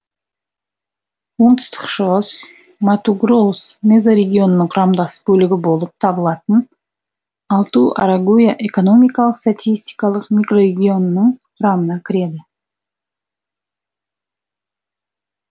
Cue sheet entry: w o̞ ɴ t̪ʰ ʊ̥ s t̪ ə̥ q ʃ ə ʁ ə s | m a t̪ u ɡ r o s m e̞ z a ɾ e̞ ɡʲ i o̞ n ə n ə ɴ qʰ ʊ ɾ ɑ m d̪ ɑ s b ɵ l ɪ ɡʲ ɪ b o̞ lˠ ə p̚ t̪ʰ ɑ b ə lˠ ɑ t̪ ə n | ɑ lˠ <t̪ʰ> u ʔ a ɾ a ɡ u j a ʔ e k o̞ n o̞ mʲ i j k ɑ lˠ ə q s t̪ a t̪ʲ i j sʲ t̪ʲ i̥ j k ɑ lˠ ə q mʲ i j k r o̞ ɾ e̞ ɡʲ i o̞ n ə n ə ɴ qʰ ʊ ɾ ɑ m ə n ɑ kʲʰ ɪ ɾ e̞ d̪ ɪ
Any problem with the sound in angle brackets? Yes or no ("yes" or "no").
yes